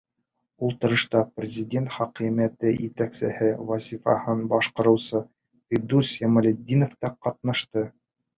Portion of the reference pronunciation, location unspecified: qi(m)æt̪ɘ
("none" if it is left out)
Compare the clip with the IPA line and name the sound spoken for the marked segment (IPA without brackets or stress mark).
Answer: m